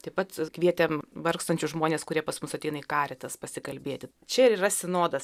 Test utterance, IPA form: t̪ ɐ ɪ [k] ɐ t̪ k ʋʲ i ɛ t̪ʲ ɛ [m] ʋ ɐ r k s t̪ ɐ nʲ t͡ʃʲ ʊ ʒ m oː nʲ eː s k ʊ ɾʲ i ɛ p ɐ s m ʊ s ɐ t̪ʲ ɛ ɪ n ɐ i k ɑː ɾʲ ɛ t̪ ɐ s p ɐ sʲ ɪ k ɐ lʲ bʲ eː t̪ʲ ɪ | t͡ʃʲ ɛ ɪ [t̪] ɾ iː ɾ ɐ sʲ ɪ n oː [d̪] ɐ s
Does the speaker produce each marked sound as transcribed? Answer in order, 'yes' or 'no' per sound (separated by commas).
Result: no, yes, no, yes